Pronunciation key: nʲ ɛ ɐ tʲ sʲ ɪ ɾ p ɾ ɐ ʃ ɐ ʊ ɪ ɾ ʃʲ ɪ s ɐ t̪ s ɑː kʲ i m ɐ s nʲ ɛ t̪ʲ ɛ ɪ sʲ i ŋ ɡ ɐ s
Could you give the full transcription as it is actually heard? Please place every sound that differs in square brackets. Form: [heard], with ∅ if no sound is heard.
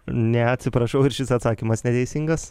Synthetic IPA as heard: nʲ ɛ ɐ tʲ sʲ ɪ [∅] p ɾ ɐ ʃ ɐ ʊ ɪ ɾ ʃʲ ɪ s ɐ t̪ s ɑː kʲ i m ɐ s nʲ ɛ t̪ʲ ɛ ɪ sʲ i ŋ ɡ ɐ s